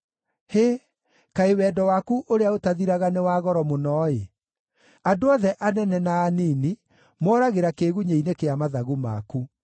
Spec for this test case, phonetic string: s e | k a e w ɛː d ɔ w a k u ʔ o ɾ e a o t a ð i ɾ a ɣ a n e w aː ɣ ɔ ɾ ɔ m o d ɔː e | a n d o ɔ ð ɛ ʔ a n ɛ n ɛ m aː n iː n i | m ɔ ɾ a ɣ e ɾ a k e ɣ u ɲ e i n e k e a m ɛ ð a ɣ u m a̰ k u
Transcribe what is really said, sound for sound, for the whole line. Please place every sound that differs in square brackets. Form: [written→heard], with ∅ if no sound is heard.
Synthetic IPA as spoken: [s→h] e | k a e w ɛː d ɔ w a k u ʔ o ɾ e a o t a ð i ɾ a ɣ a n e w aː ɣ ɔ ɾ ɔ m o [d→n] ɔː e | a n d o ɔ ð ɛ ʔ a n ɛ n ɛ [m→n] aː n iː n i | m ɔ ɾ a ɣ e ɾ a k e ɣ u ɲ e i n e k e a m [ɛ→a] ð a ɣ u m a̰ k u